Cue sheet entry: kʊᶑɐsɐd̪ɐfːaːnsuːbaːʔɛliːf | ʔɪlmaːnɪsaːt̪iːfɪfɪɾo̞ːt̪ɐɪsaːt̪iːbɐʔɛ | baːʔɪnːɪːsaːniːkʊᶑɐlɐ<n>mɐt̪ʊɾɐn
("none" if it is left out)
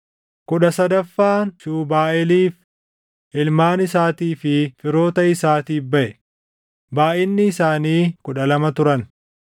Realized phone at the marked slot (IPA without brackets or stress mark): none